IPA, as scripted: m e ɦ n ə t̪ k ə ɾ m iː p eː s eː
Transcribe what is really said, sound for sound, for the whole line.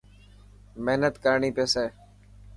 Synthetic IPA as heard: m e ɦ n ə t̪ k ə ɾ ɳ iː p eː s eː